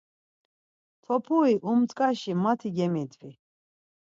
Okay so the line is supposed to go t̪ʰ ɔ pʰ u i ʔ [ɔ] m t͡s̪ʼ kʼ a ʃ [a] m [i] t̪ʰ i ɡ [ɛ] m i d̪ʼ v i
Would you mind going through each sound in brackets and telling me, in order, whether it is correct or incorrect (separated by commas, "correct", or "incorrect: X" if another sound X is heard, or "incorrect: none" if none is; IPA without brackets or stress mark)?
incorrect: u, incorrect: i, incorrect: a, correct